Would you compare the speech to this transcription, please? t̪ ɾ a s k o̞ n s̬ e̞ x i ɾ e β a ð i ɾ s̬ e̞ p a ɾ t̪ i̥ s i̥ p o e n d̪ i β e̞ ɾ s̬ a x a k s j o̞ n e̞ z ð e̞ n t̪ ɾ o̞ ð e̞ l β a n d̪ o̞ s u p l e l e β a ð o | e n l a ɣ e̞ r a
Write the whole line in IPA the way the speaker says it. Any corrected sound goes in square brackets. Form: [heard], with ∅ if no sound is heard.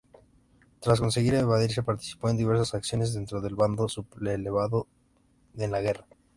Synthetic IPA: t̪ ɾ a s k o̞ n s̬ e̞ [ɣ] i ɾ e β a ð i ɾ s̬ e̞ p a ɾ t̪ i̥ s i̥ p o e n d̪ i β e̞ ɾ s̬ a [s] a k s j o̞ n e̞ z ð e̞ n t̪ ɾ o̞ ð e̞ l β a n d̪ o̞ s u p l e l e β a ð o | e n l a ɣ e̞ r a